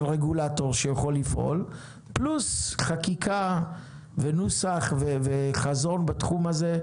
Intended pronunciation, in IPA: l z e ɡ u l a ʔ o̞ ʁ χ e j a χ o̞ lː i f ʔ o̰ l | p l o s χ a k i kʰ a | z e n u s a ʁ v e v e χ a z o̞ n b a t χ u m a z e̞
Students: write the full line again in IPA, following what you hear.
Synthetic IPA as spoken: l ʁ e ɡ u l a t o̞ ʁ ʃ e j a χ o̞ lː i f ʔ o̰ l | p l u s χ a k i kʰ a | v e n u s a χ v e v e χ a z o̞ n b a t χ u m a z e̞